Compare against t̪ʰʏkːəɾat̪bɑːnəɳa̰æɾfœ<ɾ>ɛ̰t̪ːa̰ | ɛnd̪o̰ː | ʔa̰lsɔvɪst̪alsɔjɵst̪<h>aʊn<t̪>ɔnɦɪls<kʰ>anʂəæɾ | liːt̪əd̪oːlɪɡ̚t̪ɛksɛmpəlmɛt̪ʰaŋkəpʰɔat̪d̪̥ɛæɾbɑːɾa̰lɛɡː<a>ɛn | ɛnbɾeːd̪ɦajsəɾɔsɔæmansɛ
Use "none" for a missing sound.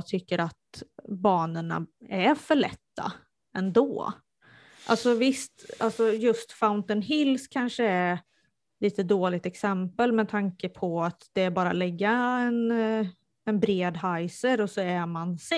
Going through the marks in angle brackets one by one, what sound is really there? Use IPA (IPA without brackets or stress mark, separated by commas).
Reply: ɭ, f, t̪, kʰ, a